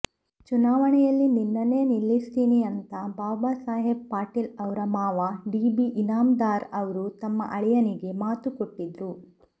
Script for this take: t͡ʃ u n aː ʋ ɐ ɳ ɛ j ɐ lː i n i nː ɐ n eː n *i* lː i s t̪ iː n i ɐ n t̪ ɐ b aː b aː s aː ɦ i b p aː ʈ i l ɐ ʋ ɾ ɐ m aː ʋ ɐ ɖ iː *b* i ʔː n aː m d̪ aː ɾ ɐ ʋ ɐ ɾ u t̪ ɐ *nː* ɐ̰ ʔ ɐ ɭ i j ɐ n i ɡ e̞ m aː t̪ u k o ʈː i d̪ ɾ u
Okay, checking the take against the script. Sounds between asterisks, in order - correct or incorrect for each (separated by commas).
correct, correct, incorrect